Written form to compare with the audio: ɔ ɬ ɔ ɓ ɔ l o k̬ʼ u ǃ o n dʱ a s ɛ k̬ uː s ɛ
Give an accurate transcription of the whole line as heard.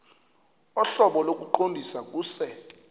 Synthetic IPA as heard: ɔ ɬ ɔ ɓ ɔ l o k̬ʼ u ǃ o n dʱ i s a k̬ uː s ɛ